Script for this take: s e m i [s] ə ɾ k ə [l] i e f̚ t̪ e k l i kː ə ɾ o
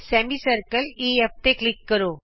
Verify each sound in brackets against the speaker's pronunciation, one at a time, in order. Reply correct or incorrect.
correct, correct

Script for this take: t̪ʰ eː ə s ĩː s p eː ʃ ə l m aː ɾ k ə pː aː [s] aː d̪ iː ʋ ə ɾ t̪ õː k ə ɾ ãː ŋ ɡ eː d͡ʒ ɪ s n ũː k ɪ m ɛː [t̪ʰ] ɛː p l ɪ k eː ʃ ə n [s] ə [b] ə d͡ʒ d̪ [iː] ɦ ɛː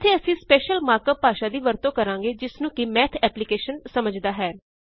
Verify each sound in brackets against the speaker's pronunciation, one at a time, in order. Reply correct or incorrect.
incorrect: ʃ, correct, correct, incorrect: m, incorrect: aː

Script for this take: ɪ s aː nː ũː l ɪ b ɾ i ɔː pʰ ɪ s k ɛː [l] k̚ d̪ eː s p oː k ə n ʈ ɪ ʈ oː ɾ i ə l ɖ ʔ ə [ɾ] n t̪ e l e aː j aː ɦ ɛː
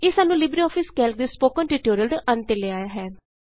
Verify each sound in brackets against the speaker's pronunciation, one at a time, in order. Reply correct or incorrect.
correct, incorrect: none

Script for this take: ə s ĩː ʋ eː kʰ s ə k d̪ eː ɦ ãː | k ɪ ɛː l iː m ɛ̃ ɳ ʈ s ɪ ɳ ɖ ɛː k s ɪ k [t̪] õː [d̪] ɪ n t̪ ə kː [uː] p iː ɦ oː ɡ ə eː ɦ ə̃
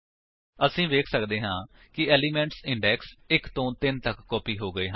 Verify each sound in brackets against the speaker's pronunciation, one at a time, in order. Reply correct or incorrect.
correct, incorrect: t̪, incorrect: ɔː

